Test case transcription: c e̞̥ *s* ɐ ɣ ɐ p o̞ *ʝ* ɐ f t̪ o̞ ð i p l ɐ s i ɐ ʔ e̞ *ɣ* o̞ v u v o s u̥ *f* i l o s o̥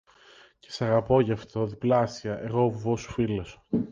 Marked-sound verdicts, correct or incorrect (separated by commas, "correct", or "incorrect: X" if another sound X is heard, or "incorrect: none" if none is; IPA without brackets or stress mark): correct, correct, correct, correct